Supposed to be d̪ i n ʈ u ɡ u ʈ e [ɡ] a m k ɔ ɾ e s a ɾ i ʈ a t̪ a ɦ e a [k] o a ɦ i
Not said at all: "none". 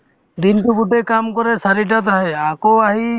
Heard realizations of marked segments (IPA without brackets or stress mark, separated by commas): k, k